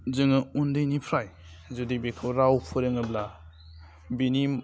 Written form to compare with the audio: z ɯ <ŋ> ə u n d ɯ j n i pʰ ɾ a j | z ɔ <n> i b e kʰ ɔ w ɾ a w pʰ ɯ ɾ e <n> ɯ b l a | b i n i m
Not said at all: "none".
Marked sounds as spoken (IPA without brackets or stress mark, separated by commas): ŋ, d, ŋ